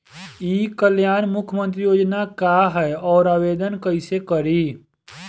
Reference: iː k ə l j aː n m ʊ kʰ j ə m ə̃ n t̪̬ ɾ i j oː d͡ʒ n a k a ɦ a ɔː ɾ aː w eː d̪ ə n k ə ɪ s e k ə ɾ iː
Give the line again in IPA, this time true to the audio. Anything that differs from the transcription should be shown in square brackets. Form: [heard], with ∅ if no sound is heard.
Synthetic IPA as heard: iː k ə l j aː n m ʊ kʰ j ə m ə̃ n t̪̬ ɾ i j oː d͡ʒ n a k a ɦ [ɛ] ɔː ɾ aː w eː d̪ ə n k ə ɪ s e k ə ɾ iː